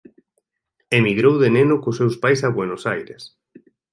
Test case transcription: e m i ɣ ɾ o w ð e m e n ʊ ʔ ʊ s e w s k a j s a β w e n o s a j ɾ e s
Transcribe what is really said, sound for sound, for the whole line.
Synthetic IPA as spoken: e m i ɣ ɾ o w ð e n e n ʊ k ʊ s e w s p a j s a β w e n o s a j ɾ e s

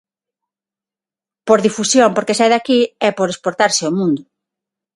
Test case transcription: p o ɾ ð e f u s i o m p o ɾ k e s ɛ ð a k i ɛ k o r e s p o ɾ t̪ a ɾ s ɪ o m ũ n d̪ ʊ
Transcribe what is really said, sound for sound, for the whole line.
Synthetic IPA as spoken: p o ɾ ð i f u s j o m p o ɾ k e s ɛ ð a k i ɛ p o ɾ e s p o ɾ t̪ a ɾ s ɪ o m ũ n d̪ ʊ

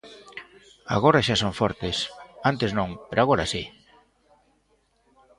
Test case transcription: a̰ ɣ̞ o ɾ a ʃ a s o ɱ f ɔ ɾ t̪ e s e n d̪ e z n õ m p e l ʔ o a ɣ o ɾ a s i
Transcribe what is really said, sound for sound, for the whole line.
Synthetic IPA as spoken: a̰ ɣ̞ o ɾ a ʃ a s o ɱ f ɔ ɾ t̪ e s a n t̪ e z n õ ŋ p e ɾ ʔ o a ɣ o ɾ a s i

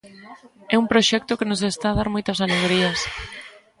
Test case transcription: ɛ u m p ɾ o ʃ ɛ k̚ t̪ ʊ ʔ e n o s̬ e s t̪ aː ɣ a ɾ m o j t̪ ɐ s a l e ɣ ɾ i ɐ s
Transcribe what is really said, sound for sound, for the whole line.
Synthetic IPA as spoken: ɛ u m p ɾ o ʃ ɛ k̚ t̪ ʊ k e n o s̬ e s t̪ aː ð a ɾ m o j t̪ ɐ s a l e ɣ ɾ i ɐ s

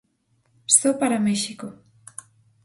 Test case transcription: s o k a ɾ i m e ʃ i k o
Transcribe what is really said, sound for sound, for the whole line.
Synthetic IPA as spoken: s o p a ɾ a m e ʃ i k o

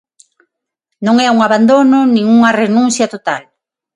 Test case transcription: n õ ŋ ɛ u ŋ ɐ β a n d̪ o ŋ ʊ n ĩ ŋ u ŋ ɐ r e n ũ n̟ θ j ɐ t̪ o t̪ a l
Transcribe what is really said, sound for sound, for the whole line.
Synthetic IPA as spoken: n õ ŋ ɛ u ŋ a β a n d̪ o n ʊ n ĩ ŋ u ŋ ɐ r e n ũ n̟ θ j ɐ t̪ o t̪ a l

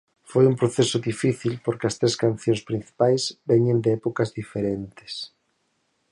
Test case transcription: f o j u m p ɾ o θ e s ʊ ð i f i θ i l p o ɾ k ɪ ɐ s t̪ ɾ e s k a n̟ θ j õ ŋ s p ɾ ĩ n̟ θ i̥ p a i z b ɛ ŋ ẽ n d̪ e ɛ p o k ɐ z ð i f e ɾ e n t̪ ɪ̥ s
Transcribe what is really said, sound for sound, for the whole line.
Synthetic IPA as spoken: f o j u m p ɾ o θ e s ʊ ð i f i θ i l p o ɾ k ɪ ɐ s t̪ ɾ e s k a n̟ θ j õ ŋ s p ɾ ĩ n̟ θ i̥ p a j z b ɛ ɲ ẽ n d̪ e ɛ p o k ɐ z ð i f e ɾ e n t̪ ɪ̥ s

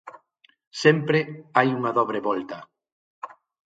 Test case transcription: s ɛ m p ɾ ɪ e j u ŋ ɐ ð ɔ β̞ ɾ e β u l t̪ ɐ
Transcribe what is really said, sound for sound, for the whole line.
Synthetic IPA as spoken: s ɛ m p ɾ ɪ a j u ŋ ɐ ð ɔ β̞ ɾ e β ɔ l t̪ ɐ

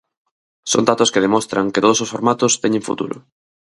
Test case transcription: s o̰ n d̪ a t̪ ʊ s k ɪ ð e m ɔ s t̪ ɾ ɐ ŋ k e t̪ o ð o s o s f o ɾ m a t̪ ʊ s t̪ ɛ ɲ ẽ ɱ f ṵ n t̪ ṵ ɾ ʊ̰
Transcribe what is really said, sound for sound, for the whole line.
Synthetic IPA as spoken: s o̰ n d̪ a t̪ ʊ s k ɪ ð e m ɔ s t̪ ɾ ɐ ŋ k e t̪ o ð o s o s f o ɾ m a t̪ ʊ s t̪ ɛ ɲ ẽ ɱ f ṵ t̪ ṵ ɾ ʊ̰

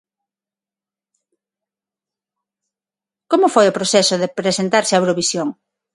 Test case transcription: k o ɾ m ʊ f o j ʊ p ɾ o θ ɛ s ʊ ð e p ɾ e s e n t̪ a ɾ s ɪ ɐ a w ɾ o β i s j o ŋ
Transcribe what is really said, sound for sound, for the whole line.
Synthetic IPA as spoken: k o m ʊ f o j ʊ p ɾ o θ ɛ s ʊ ð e p ɾ e s e n t̪ a ɾ s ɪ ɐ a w ɾ o β i s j o ŋ

